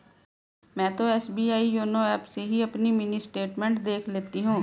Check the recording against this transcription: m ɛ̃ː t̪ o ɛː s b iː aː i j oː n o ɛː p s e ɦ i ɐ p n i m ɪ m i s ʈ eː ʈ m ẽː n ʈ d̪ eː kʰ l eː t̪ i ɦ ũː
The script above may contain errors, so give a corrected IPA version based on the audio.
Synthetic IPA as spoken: m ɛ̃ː t̪ o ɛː s b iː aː i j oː n o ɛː p s e ɦ i ɐ p n i m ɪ n i s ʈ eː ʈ m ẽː ɳ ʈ d̪ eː kʰ l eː t̪ i ɦ ũː

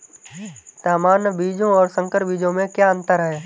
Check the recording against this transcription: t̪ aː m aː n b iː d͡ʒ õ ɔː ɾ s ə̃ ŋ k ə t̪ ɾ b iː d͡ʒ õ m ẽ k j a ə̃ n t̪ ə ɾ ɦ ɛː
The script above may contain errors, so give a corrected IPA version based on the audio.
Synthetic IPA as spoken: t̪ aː m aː n b iː d͡ʒ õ ɔː ɾ s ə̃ ŋ k ə ɾ b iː d͡ʒ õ m ẽ k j a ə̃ n t̪ ə ɾ ɦ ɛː

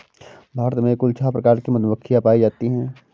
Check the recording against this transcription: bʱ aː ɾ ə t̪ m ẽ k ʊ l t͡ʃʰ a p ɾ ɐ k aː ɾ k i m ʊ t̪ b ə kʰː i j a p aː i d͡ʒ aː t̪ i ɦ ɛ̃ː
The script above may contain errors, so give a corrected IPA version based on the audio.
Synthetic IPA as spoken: bʱ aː ɾ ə t̪ m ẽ k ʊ l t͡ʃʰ a p ɾ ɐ k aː ɾ k i m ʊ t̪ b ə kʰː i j a p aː i d͡ʒ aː t̪ i ɦ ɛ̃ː

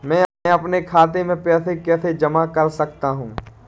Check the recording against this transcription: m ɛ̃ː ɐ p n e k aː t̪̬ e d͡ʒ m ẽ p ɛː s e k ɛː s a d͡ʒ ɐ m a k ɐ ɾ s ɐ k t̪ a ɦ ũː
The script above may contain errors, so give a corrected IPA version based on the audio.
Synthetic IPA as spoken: m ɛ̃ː ɐ p n e kʰ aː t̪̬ e m ẽ p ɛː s e k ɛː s e d͡ʒ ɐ m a k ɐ ɾ s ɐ k t̪ a ɦ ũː

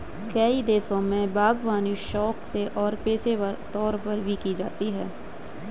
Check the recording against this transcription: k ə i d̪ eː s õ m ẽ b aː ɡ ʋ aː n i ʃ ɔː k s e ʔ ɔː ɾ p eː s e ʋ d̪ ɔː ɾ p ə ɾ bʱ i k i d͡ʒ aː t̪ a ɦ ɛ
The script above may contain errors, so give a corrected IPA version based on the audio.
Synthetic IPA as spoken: k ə i d̪ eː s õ m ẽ b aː ɡ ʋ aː n i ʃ ɔː k s e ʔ ɔː ɾ p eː s e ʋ t̪ ɔː ɾ p ə ɾ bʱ i k i d͡ʒ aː t̪ i ɦ ɛː

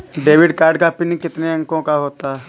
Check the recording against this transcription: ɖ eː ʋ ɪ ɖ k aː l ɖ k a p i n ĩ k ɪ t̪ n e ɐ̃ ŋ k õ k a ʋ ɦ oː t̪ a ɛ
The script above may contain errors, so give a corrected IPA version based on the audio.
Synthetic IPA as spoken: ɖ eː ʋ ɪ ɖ k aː ɾ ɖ k a p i n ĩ k ɪ t̪ n e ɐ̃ ŋ k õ k a ɦ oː t̪ a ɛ

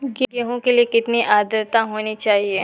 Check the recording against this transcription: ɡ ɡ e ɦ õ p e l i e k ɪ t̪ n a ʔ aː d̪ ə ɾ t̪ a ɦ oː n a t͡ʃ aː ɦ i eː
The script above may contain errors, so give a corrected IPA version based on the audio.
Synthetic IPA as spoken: ɡ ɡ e ɦ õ k e l i e k ɪ t̪ n i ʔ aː d̪ ə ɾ t̪ a ɦ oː n i t͡ʃ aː ɦ i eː

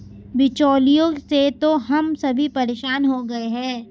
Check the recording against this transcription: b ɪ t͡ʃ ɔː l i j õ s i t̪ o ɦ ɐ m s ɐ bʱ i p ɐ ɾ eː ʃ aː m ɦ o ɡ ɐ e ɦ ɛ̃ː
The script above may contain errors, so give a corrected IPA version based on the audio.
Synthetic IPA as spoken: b ɪ t͡ʃ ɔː l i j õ s e t̪ o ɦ ɐ m s ɐ bʱ i p ɐ ɾ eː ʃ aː n ɦ o ɡ ɐ e ɦ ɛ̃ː

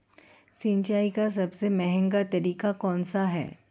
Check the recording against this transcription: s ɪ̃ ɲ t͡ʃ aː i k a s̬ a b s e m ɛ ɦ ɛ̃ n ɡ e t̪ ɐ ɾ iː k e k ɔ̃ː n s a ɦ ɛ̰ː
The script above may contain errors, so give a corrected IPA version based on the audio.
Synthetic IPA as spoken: s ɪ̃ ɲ t͡ʃ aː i k a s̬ ɐ b s e m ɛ ɦ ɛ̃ ŋ ɡ a t̪ ɐ ɾ iː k a k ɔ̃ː n s a ɦ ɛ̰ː

